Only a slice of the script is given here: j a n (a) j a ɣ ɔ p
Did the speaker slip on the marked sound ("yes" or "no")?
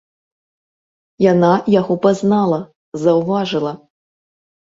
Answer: no